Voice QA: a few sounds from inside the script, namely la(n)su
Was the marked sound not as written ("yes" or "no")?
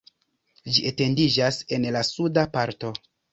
yes